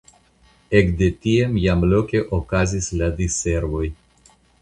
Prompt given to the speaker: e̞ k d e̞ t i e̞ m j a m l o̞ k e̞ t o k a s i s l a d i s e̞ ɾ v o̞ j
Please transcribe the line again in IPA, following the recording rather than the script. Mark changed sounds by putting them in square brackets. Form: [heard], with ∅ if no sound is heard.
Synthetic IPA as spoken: e̞ k d e̞ t i e̞ m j a m l o̞ k e̞ [ʔ] o k a [z] i s l a d i s e̞ ɾ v o̞ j